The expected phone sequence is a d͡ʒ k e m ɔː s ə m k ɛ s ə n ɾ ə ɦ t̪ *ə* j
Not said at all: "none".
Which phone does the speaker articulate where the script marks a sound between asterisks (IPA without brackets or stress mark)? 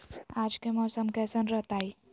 a